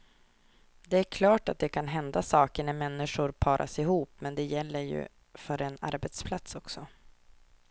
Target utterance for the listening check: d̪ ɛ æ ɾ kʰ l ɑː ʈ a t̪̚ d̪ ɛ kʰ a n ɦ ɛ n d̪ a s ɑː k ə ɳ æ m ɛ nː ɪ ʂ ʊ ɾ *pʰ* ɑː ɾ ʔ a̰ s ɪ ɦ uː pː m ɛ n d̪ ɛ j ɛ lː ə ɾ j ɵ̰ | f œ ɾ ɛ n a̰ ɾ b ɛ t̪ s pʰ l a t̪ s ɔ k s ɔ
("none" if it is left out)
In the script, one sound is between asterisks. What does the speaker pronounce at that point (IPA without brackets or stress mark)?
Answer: pʰ